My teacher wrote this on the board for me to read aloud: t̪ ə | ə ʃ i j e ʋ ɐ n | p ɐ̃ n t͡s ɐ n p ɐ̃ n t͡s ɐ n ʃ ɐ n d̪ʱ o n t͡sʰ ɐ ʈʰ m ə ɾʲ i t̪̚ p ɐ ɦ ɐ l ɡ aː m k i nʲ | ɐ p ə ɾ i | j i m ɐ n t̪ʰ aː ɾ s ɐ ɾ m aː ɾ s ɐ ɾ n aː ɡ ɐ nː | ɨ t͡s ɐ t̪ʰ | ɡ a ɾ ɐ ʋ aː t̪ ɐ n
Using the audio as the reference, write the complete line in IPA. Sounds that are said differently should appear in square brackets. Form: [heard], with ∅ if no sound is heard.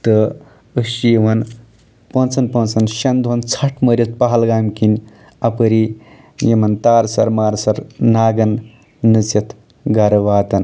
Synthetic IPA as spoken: t̪ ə | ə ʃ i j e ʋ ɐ n | p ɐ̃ n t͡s ɐ n p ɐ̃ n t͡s ɐ n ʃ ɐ n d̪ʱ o n t͡sʰ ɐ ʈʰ m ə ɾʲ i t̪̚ p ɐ ɦ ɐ l ɡ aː m k i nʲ | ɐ p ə ɾ i | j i m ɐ n [t̪] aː ɾ s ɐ ɾ m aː ɾ s ɐ ɾ n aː ɡ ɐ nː | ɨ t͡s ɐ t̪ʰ | ɡ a ɾ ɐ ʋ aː t̪ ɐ n